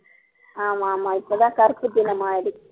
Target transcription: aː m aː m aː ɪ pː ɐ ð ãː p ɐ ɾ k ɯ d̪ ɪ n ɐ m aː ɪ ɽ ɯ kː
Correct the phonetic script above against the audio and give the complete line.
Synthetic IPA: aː m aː m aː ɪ pː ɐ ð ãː k ɐ ɾ p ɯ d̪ ɪ n ɐ m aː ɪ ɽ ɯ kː